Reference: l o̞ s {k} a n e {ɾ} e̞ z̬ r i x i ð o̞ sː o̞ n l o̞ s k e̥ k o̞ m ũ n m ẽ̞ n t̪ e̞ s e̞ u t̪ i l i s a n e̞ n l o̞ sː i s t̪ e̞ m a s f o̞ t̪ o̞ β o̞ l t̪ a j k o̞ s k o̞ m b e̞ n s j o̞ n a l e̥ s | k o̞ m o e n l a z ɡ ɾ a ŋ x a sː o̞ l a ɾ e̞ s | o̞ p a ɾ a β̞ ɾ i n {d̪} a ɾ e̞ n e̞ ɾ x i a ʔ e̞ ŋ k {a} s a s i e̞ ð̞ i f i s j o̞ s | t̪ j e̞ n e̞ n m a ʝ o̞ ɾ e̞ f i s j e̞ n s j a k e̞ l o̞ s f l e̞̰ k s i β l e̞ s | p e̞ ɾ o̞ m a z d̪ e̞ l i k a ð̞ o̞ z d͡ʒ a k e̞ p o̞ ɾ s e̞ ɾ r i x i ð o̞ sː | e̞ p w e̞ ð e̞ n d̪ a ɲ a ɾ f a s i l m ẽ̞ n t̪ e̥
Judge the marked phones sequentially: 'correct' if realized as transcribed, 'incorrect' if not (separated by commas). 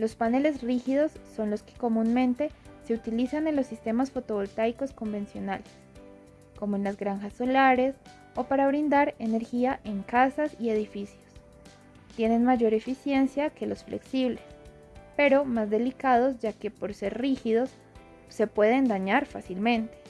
incorrect, incorrect, correct, correct